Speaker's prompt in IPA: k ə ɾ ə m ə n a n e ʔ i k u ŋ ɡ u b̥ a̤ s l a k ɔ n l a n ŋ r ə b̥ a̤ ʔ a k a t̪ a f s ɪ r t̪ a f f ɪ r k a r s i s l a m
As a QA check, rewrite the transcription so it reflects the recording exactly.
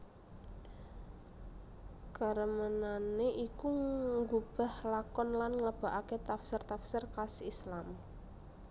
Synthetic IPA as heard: k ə ɾ ə m ə n a n e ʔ i k u ŋ ɡ u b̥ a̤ h l a k ɔ n l a n ŋ l ə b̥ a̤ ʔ a k e t̪ a f s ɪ r t̪ a f s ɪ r k a s i s l a m